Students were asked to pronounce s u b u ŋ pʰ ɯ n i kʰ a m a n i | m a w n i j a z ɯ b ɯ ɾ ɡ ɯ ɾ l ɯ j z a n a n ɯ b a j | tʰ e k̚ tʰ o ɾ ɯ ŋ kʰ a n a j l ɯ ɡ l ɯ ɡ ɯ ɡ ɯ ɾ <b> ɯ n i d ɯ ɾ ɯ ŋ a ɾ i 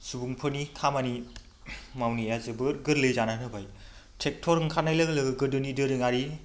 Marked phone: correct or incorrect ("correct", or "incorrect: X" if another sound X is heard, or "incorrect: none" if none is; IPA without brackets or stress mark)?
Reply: incorrect: d